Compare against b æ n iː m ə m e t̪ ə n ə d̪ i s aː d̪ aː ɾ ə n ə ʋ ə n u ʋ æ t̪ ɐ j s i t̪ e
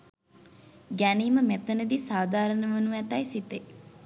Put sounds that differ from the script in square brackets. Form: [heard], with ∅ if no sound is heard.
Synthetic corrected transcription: [ɡ] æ n iː m ə m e t̪ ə n ə d̪ i s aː d̪ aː ɾ ə n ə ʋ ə n u ʋ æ t̪ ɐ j s i t̪ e